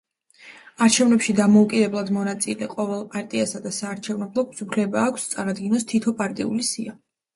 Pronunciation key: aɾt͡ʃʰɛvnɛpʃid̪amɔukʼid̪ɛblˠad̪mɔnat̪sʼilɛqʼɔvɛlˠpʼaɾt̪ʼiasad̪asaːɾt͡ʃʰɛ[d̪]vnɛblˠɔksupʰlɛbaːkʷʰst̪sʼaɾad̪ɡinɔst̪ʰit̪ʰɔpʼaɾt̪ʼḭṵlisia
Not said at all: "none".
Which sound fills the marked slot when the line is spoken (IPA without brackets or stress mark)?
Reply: none